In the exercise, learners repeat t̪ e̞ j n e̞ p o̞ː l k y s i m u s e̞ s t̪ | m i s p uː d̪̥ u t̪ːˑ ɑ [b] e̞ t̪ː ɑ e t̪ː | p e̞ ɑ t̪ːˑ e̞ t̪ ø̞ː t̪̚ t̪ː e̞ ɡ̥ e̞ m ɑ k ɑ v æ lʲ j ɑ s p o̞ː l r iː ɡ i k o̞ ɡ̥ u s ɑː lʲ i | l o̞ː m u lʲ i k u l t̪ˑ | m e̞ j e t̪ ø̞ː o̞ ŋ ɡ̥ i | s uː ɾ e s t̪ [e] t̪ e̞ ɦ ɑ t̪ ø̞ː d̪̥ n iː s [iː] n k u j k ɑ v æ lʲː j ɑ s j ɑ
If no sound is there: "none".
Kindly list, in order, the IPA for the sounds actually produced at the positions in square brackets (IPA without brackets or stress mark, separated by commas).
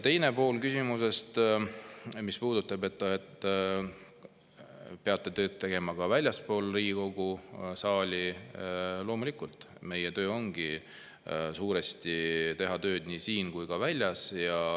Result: b, i, iː